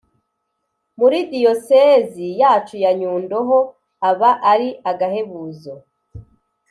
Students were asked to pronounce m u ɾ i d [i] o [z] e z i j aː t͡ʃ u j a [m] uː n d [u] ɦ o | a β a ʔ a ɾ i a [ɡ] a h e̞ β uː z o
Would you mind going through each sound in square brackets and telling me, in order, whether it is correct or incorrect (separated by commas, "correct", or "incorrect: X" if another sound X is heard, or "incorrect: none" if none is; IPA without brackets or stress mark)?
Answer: correct, incorrect: s, incorrect: ɲ, incorrect: o, correct